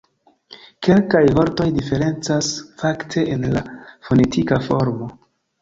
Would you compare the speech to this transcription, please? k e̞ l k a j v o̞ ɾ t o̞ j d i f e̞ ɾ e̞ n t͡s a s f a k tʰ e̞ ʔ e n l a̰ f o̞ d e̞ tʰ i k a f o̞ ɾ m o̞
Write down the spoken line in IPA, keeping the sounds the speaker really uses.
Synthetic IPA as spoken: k e̞ l k a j v o̞ ɾ t o̞ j d i f e̞ ɾ e̞ n t͡s a s f a k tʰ e̞ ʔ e n l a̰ f o̞ n e̞ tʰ i k a f o̞ ɾ m o̞